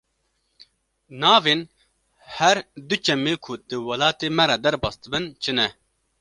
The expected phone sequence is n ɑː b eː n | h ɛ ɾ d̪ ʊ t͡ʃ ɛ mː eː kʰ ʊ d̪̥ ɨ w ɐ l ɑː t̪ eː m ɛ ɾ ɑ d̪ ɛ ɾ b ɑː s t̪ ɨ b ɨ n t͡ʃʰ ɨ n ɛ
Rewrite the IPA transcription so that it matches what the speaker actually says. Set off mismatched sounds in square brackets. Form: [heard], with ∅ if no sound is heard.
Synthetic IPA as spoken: n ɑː [v] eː n | h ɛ ɾ d̪ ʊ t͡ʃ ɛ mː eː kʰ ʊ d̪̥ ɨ w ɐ l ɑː t̪ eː m ɛ ɾ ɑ d̪ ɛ ɾ b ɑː s t̪ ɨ b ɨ n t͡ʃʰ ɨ n ɛ